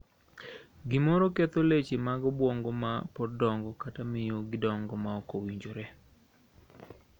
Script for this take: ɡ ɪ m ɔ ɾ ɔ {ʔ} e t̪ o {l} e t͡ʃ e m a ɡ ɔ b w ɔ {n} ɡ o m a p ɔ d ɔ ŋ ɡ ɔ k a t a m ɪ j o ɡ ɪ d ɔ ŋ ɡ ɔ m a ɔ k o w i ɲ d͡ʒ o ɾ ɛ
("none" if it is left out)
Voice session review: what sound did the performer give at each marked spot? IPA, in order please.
k, l, ŋ

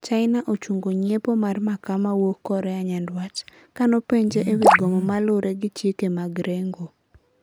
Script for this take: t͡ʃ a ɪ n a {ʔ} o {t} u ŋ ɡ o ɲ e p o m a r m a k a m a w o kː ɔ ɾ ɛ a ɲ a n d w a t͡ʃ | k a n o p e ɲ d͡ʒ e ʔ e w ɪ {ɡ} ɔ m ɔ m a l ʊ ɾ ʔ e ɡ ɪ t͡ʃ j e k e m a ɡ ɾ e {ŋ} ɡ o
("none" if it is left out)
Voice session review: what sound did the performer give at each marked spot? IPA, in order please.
ʔ, t͡ʃ, ɡ, ŋ

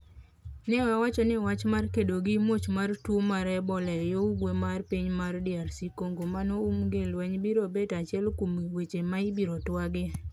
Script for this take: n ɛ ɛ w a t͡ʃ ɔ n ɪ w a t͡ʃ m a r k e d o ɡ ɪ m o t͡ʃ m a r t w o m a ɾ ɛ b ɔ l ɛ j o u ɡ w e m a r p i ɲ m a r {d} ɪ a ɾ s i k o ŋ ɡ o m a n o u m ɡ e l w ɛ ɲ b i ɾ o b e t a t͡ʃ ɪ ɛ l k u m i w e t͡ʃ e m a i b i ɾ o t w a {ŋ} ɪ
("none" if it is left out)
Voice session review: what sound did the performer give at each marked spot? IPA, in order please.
d, ɡ

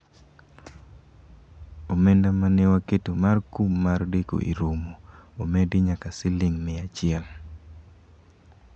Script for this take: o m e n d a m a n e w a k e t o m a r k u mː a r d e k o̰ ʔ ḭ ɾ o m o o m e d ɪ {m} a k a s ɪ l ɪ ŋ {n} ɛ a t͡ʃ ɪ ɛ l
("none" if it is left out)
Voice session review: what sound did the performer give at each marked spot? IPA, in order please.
ɲ, m

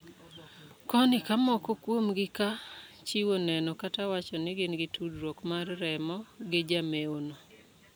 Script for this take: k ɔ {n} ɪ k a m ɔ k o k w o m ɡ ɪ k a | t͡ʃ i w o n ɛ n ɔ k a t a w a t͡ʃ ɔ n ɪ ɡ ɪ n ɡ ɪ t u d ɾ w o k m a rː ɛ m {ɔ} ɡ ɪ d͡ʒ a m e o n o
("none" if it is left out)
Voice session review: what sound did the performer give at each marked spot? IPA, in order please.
n, ɔ

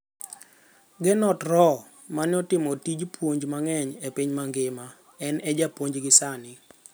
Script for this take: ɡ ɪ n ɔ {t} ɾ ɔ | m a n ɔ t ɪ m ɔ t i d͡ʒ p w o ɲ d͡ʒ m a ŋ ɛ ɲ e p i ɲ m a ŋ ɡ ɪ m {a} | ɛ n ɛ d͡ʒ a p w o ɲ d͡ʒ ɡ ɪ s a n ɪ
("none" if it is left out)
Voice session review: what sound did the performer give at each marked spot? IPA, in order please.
t, a

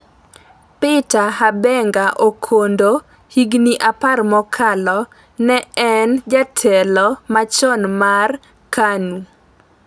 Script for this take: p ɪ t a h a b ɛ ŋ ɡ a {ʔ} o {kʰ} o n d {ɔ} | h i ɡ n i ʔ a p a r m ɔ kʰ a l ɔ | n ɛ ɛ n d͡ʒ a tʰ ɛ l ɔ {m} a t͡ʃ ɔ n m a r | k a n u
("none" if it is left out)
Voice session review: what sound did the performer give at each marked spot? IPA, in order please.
ʔ, kʰ, o, m

